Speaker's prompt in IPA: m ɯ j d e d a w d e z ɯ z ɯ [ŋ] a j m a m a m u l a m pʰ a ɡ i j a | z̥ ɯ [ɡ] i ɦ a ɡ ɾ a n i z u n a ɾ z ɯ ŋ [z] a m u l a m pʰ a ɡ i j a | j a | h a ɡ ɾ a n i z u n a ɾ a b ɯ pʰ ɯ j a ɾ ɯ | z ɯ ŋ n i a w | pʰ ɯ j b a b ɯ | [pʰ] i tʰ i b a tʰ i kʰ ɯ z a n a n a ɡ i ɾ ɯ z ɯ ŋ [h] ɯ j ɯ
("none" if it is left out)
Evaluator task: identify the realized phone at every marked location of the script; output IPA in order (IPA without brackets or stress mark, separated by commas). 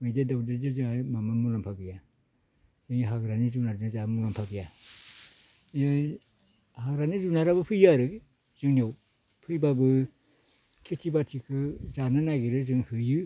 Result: ŋ, ŋ, z, kʰ, h